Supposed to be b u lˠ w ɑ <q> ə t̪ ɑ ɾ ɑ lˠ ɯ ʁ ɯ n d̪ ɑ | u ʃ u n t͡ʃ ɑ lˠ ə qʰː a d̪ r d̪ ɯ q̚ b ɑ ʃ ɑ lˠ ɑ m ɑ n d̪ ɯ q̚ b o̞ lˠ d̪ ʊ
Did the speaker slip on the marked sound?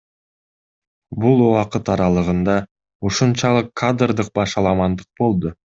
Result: no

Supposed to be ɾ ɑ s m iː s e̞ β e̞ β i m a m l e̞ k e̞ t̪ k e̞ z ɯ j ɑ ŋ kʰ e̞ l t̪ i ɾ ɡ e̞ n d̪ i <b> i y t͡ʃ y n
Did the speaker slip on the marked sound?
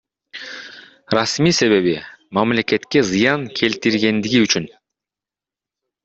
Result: yes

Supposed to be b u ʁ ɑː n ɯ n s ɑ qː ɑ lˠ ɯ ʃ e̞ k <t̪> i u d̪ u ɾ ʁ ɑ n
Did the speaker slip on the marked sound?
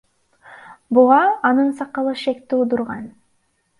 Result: no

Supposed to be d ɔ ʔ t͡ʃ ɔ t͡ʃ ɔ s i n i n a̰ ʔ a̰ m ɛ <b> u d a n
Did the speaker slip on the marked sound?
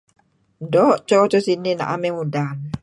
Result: yes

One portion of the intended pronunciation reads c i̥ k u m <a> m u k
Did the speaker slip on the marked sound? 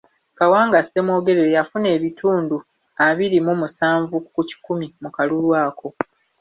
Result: yes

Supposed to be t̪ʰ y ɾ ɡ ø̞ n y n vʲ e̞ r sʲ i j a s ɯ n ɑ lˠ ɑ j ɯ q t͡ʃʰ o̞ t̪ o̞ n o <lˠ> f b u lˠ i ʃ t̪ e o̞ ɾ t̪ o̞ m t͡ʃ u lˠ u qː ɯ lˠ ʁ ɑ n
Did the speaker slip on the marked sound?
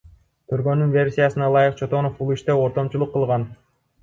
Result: yes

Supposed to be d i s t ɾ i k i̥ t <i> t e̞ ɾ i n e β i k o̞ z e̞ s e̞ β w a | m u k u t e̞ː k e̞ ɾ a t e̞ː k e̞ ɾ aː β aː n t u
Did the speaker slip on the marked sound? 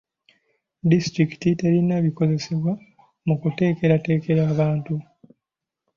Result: no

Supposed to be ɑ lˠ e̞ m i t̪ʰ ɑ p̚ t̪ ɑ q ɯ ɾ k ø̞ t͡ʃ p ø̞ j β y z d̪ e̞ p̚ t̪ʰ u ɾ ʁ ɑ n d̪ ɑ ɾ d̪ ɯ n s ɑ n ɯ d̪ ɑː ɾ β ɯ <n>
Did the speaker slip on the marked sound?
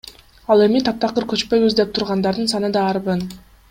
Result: no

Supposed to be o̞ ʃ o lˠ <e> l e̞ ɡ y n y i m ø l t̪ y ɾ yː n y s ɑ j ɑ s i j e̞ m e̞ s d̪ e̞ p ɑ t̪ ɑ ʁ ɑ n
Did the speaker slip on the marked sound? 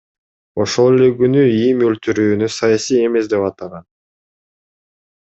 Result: no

